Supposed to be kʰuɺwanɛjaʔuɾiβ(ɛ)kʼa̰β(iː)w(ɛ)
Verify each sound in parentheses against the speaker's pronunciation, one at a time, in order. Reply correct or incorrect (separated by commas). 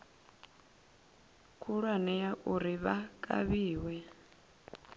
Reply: incorrect, correct, correct